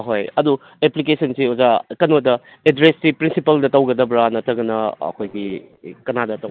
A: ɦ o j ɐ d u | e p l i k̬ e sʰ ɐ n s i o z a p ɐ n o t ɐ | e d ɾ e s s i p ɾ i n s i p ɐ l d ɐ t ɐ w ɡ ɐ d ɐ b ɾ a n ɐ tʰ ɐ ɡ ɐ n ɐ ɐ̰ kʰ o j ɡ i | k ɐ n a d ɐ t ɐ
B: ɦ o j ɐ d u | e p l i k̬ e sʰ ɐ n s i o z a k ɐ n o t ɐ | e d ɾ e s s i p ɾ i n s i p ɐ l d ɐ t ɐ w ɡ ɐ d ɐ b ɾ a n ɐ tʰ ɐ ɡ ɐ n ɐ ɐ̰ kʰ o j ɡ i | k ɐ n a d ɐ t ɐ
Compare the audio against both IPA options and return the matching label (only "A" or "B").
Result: B